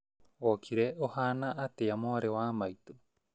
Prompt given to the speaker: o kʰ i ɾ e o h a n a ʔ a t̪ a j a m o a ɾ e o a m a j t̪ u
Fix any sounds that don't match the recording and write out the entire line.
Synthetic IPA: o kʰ i ɾ e o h a n a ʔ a t̪ e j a m o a ɾ e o a m a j t̪ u

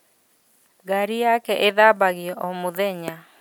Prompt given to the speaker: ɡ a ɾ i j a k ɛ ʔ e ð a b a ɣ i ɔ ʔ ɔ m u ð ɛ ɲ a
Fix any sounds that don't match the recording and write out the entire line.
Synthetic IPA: ɡ a ɾ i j a k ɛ ʔ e ð a b a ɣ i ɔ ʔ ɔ m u ð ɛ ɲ a

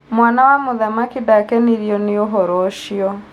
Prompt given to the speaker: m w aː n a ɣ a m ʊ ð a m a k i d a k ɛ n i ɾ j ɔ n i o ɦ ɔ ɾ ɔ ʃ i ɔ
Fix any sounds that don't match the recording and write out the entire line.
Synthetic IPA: m w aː n a w a m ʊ ð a m a k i d a k ɛ n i ɾ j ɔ n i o ɦ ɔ ɾ ɔ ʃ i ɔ

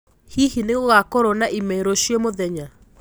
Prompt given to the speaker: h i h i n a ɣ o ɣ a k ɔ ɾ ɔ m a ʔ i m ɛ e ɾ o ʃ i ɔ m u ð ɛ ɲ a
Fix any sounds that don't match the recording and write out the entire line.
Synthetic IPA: h i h i n e ɣ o ɣ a k ɔ ɾ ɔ n a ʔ i m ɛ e ɾ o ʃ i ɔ m o ð ɛ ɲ a

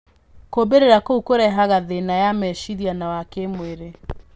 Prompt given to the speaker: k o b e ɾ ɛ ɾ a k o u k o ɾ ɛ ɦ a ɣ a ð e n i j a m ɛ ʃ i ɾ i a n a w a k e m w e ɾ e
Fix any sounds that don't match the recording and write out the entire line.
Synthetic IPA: k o b e ɾ e ɾ a k o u k o ɾ ɛ ɦ a ɣ a ð e n a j a m ɛ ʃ i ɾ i a n a w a k e m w e ɾ e

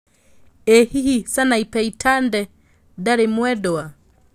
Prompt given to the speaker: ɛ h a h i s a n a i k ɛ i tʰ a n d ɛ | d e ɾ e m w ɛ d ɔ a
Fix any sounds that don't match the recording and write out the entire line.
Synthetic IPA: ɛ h i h i s a n a i p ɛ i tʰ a n d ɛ | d a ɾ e m w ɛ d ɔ a

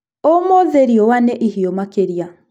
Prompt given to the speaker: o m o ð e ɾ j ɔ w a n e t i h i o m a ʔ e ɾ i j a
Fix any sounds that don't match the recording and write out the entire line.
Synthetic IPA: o m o ð e ɾ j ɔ w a n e ʔ i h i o m a k e ɾ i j a

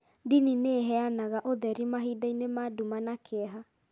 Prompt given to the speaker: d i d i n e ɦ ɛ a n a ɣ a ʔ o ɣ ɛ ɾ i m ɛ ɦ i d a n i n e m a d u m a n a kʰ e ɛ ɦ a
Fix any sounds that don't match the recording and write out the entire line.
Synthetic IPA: d i n i n e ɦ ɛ a n a ɣ a ʔ o ð ɛ ɾ i m a ɦ i d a i n e m a d u m a n a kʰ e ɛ ɦ a

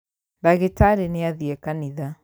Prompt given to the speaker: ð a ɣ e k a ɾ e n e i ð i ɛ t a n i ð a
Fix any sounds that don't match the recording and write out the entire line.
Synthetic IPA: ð a ɣ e t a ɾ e n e a ð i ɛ k a n i ð a

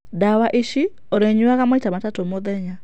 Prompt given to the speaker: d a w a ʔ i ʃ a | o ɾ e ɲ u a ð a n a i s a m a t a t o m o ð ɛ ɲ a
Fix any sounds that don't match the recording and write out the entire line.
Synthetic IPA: d a w a ʔ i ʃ i | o ɾ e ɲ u a ɣ a m a i t a m a t a t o m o ð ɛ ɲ a

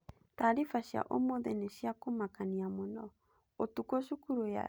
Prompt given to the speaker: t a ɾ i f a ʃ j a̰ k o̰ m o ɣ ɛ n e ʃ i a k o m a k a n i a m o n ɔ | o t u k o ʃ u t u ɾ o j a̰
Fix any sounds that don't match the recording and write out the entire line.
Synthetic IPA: t a ɾ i f a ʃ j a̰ ʔ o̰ m o ð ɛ n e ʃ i a k o m a k a n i a m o n ɔ | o t u k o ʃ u k u ɾ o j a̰

